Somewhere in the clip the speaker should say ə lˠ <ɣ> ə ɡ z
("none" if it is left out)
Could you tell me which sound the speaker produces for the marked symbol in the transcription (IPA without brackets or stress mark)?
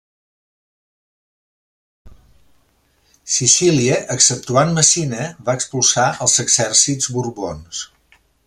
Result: z